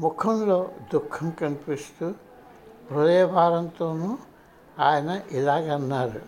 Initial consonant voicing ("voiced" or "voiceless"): voiced